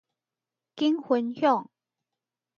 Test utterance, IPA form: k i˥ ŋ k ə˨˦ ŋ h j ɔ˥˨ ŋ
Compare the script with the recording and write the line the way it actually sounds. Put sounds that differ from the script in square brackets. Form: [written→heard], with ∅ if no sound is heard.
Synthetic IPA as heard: k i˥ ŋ [k→x] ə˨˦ [ŋ→n] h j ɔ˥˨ ŋ